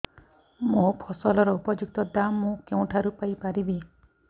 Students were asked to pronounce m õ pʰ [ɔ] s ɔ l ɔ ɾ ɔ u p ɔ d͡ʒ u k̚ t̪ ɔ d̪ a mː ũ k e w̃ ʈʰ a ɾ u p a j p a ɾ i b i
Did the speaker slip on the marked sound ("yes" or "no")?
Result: no